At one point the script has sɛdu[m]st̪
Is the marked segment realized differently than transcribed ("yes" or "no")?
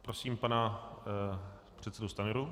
yes